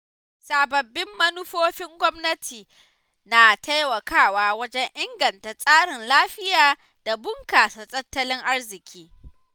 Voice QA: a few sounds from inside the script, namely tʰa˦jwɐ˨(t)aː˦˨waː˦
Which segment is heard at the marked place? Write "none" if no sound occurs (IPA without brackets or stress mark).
k